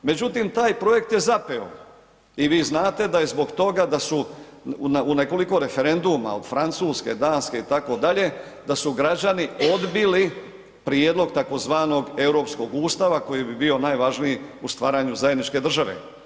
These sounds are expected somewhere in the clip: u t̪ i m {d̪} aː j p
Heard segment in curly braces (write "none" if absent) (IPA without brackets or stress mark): t̪